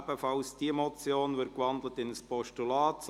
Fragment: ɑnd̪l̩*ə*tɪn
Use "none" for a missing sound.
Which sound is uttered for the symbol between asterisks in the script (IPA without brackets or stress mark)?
ə